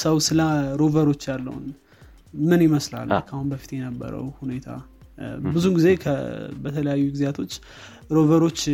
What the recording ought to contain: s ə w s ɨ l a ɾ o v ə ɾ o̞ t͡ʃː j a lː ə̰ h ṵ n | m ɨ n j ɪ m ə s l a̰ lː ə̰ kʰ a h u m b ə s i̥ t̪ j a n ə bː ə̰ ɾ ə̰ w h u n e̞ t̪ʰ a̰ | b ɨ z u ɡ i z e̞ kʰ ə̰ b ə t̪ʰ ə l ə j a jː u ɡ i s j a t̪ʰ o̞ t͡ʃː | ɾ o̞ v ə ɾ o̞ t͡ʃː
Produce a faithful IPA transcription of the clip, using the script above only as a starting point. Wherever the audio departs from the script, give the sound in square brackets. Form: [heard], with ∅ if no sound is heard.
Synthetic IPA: s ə w s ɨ l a ɾ o v ə ɾ o̞ t͡ʃː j a lː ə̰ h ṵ n | m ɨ n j ɪ m ə s l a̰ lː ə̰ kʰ a h u [n] b ə [f] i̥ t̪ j [ɛ] n ə bː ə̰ ɾ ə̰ w h u n e̞ t̪ʰ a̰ | b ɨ z u ɡ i z e̞ kʰ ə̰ b ə t̪ʰ ə l ə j a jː u ɡ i [z] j a t̪ʰ o̞ t͡ʃː | ɾ o̞ v ə ɾ o̞ t͡ʃː